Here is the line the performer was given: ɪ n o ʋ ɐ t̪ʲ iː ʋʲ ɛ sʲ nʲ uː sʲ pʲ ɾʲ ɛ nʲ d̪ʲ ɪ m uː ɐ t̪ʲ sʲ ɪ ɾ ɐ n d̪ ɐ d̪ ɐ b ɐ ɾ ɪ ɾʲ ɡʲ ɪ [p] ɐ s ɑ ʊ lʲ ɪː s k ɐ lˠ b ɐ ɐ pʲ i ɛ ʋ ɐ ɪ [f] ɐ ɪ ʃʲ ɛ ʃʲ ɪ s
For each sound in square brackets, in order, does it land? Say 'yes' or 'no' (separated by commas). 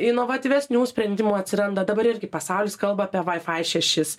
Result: yes, yes